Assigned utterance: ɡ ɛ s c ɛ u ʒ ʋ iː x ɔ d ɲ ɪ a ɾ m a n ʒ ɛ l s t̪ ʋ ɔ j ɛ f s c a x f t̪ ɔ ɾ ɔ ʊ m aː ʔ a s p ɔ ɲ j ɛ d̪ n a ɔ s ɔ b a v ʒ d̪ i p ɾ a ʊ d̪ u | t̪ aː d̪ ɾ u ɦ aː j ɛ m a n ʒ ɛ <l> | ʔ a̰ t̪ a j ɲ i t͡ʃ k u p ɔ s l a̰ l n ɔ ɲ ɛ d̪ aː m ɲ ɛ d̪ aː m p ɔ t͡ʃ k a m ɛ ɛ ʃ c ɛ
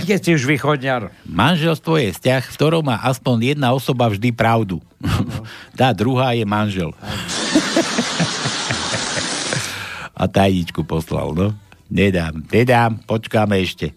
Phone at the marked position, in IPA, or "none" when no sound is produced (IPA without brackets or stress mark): l